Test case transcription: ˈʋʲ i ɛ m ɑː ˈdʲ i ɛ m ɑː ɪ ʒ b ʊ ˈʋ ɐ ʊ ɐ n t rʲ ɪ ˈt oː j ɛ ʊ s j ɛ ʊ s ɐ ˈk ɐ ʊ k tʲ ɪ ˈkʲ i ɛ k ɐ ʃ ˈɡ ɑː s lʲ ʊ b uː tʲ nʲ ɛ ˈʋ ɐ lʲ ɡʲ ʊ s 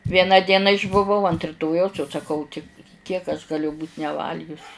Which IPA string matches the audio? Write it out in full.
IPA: ˈʋʲ i ɛ n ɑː ˈdʲ i ɛ n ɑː ɪ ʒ b ʊ ˈʋ ɐ ʊ ɐ n t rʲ ɪ ˈt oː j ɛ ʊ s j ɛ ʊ s ɐ ˈk ɐ ʊ tʲ ɪ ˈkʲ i ɛ k ɐ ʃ ˈɡ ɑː lʲ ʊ b uː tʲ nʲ ɛ ˈʋ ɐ lʲ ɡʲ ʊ s